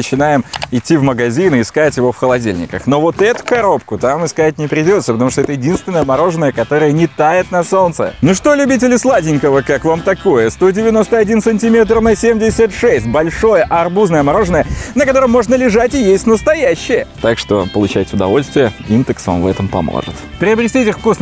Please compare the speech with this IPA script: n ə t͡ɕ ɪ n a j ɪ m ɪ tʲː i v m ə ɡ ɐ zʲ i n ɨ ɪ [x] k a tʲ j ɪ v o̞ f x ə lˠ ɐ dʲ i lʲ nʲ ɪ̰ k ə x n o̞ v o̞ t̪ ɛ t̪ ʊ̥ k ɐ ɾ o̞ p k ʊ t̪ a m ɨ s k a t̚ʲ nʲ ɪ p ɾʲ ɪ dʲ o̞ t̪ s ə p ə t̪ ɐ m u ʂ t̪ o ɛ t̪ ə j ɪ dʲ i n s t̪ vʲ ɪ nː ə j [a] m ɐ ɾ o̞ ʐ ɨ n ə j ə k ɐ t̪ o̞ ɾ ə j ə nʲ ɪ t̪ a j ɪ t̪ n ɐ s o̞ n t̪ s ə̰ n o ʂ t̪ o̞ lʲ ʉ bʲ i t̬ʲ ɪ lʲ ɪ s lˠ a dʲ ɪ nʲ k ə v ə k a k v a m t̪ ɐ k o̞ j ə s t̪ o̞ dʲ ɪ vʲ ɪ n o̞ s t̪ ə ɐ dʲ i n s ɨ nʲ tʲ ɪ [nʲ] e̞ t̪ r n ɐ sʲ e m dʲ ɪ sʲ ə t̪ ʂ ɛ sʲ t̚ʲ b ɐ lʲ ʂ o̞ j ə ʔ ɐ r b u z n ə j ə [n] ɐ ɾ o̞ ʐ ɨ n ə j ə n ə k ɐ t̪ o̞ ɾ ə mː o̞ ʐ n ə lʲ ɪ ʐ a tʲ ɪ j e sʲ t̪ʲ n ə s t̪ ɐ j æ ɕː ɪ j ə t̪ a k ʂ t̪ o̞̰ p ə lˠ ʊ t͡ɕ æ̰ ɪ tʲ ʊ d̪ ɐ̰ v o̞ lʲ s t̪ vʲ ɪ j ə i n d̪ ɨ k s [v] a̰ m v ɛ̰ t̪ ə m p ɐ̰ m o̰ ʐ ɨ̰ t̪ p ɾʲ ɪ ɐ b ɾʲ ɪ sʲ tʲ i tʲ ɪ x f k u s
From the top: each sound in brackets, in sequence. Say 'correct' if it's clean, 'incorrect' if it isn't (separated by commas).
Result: incorrect, incorrect, incorrect, incorrect, correct